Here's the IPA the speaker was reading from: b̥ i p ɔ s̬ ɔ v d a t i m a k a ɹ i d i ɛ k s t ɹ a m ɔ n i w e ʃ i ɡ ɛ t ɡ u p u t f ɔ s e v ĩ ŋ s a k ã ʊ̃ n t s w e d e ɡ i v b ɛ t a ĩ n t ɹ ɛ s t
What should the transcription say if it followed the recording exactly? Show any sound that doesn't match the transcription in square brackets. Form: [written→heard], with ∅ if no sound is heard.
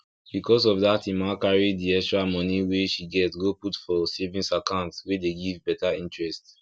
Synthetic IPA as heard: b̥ i [p→k] ɔ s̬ ɔ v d a t i m a k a ɹ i d i ɛ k s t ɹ a m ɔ n i w e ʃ i ɡ ɛ t ɡ [u→o] p u t f ɔ s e v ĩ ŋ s a k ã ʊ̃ n t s w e d e ɡ i v b ɛ t a ĩ n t ɹ ɛ s t